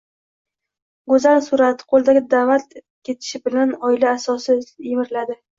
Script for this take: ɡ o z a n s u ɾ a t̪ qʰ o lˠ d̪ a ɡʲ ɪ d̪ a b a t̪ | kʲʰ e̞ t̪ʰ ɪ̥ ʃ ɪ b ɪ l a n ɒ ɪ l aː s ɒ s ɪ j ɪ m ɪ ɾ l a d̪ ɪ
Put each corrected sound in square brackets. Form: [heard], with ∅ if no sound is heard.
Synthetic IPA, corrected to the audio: ɡ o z a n s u ɾ a t̪ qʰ o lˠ d̪ a ɡʲ ɪ d̪ a [v] a t̪ | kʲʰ e̞ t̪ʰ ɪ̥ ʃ ɪ b ɪ l a n ɒ ɪ l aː s ɒ s ɪ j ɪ m ɪ ɾ l a d̪ ɪ